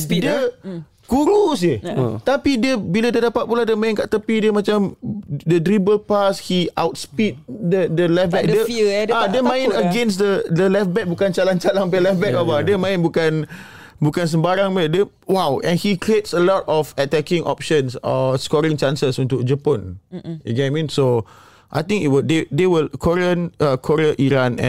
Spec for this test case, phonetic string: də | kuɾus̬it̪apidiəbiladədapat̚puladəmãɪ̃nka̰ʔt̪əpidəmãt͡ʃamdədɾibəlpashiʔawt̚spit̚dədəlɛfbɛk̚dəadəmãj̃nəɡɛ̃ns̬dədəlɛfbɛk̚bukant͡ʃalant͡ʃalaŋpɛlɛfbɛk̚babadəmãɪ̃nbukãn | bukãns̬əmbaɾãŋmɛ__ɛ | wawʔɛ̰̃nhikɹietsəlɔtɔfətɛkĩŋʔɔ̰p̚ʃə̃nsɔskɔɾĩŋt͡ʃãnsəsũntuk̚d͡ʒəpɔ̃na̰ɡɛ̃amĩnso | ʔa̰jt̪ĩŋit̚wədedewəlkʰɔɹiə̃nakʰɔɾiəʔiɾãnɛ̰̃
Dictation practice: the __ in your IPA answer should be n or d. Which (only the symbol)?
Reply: d